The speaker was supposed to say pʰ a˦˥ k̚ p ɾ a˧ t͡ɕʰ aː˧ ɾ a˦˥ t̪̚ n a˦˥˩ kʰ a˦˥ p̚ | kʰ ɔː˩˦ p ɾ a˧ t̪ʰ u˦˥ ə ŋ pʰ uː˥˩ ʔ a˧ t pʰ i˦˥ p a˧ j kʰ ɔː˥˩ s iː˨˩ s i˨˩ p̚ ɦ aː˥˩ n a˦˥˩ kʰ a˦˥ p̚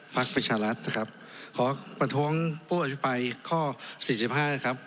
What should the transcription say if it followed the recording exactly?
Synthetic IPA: pʰ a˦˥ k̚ p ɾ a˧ t͡ɕʰ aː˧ ɾ a˦˥ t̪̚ n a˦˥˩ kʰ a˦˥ p̚ | kʰ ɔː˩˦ p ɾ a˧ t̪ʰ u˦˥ ə ŋ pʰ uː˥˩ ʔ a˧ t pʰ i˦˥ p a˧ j kʰ ɔː˥˩ s iː˨˩ s i˨˩ p̚ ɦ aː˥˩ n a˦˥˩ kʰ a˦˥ p̚